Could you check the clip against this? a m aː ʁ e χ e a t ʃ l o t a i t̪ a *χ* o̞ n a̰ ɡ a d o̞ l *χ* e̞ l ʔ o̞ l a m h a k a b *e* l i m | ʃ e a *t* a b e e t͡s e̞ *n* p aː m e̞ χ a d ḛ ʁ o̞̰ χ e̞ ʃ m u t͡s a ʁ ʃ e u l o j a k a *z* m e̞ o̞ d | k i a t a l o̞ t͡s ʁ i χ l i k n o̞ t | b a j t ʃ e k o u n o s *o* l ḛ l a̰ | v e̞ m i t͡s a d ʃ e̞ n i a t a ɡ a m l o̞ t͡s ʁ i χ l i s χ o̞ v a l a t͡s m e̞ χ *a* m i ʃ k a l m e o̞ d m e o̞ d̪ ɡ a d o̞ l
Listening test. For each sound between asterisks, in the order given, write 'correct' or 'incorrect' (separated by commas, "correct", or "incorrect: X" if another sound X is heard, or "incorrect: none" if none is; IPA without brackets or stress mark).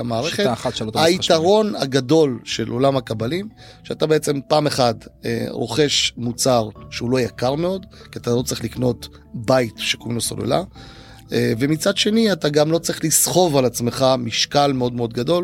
incorrect: ʁ, incorrect: ʃ, incorrect: a, correct, incorrect: m, incorrect: ʁ, correct, correct